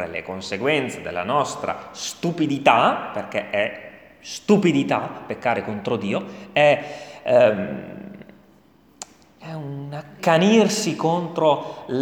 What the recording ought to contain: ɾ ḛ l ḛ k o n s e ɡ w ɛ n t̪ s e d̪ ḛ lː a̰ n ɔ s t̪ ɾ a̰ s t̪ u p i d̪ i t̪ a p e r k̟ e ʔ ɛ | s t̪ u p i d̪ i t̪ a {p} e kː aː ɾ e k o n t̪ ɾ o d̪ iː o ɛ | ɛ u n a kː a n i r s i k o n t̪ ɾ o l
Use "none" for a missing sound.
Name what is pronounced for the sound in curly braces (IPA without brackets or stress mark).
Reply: p